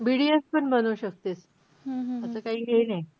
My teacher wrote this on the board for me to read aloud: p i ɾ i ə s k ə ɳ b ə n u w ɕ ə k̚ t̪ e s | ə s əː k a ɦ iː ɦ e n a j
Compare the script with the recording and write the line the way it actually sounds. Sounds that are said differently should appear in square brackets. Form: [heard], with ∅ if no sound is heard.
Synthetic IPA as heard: [b] i [ɽ] i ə s [p] ə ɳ b ə n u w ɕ ə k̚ t̪ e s | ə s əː k a ɦ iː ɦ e n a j